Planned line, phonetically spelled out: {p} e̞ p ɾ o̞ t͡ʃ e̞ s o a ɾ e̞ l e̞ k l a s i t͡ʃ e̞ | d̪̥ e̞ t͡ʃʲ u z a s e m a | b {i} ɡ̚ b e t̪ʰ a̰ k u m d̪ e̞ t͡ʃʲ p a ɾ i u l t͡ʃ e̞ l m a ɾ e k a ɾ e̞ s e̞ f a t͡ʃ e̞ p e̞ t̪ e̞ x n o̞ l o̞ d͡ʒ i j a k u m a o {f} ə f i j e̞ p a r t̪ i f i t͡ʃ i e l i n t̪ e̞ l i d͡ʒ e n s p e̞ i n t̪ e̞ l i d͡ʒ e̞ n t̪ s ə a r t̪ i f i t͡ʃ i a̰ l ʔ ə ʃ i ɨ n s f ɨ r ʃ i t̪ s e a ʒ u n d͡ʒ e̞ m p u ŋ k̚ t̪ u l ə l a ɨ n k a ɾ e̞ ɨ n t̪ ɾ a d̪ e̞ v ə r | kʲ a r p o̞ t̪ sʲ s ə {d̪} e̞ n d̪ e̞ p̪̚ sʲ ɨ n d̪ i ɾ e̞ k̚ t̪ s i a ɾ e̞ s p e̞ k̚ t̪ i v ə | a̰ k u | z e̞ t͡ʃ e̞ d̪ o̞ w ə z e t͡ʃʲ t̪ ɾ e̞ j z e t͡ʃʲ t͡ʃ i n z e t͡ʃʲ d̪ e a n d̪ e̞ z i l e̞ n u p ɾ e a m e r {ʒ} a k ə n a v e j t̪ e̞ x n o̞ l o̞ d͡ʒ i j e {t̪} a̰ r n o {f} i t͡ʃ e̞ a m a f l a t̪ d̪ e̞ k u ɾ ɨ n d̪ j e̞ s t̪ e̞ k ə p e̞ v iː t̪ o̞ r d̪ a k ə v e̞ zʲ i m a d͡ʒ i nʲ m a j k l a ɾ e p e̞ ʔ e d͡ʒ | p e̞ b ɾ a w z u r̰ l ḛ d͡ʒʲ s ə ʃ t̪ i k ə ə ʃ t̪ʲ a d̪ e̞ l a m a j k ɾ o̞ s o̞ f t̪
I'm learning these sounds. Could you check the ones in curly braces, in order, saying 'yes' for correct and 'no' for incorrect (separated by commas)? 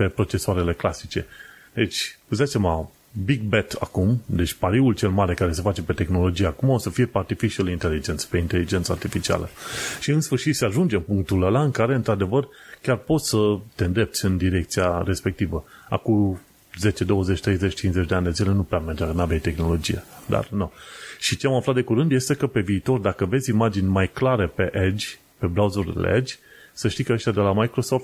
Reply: yes, yes, no, no, no, no, no